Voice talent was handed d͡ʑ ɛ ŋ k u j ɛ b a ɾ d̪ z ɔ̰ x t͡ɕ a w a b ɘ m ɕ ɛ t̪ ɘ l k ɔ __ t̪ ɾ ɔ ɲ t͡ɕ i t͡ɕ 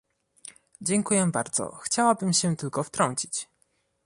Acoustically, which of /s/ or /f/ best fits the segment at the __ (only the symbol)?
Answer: f